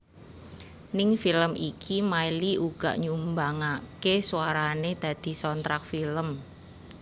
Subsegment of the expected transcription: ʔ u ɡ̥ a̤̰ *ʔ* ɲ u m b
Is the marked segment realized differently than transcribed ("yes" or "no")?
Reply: no